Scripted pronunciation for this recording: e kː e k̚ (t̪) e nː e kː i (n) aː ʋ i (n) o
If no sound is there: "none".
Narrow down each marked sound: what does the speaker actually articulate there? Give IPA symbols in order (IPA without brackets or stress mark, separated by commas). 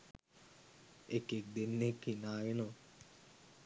d̪, n, n